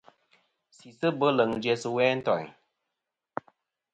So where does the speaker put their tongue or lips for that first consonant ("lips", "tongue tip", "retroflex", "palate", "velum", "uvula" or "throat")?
tongue tip